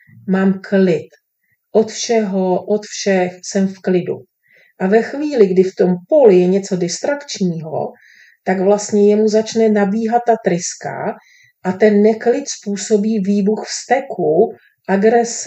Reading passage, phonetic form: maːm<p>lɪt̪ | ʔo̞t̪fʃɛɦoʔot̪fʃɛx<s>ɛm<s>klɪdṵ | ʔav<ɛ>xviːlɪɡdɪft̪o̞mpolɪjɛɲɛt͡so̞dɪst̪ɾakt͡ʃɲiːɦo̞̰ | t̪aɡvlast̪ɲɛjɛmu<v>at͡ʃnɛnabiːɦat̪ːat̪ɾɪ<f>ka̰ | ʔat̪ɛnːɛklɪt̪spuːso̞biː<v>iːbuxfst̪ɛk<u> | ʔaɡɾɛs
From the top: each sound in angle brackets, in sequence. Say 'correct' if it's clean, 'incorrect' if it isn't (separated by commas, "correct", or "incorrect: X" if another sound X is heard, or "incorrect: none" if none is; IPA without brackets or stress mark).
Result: incorrect: k, correct, incorrect: f, correct, incorrect: z, incorrect: s, correct, correct